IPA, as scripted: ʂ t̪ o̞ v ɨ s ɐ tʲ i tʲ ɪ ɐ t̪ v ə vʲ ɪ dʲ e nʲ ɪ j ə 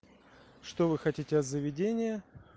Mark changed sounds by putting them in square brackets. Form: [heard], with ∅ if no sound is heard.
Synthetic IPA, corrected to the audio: ʂ t̪ o̞ v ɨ [x] ɐ tʲ i tʲ ɪ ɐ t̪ [z] ə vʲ ɪ dʲ e nʲ ɪ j ə